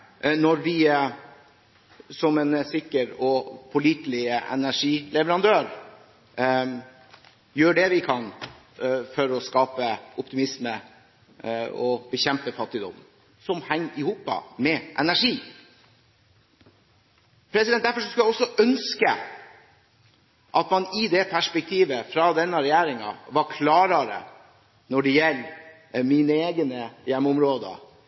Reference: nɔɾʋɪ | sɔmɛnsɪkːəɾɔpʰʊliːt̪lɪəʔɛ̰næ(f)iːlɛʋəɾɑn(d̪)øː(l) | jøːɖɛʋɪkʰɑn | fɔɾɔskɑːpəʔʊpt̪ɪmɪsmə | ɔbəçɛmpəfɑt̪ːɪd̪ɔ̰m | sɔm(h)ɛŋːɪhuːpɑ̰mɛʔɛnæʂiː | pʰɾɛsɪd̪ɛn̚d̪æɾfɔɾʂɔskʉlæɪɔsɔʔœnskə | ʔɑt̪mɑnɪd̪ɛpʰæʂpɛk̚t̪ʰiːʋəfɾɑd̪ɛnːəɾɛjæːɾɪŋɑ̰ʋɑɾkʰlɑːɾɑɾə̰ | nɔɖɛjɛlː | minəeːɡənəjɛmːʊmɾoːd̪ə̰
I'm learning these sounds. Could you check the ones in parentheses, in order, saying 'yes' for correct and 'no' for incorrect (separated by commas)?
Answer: no, yes, no, yes